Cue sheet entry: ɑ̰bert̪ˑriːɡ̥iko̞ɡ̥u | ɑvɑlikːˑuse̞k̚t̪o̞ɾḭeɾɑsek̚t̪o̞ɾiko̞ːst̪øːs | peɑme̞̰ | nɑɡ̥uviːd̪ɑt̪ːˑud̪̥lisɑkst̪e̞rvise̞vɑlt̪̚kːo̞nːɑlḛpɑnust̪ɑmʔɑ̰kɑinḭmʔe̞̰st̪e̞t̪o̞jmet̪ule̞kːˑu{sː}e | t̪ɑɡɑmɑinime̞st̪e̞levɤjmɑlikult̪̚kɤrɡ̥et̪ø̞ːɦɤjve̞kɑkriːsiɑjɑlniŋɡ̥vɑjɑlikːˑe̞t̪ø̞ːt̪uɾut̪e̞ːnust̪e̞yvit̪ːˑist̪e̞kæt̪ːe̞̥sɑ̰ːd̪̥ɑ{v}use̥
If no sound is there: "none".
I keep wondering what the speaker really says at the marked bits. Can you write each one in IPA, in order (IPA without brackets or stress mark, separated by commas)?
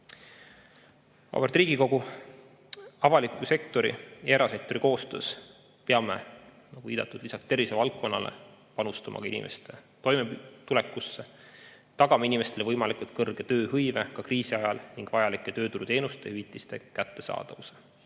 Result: sː, v